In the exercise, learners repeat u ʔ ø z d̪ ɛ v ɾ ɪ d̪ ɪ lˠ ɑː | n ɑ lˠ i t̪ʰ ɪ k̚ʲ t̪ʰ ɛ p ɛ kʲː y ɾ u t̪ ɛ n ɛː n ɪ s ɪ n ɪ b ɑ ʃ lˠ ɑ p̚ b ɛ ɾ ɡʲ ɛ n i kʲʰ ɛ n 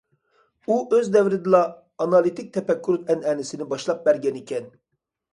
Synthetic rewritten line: u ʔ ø z d̪ ɛ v ɾ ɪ d̪ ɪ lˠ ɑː | n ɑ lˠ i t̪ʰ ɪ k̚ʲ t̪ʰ ɛ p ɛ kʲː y ɾ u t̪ ɛ n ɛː n ɪ s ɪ n ɪ b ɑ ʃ lˠ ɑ p̚ b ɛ ɾ ɡʲ ɛ n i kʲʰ ɛ n

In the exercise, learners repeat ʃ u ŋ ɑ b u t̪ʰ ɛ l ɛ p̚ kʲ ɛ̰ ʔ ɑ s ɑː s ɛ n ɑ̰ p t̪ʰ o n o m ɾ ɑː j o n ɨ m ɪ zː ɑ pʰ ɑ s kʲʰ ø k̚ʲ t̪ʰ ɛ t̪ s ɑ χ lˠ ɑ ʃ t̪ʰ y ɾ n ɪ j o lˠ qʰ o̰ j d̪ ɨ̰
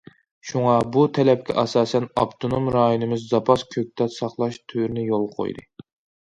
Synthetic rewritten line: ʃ u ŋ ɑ b u t̪ʰ ɛ l ɛ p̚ kʲ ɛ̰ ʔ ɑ s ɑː s ɛ n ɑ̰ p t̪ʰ o n o m ɾ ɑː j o n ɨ m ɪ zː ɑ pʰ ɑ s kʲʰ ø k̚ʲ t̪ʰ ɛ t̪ s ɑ χ lˠ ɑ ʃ t̪ʰ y ɾ n ɪ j o lˠ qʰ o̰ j d̪ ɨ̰

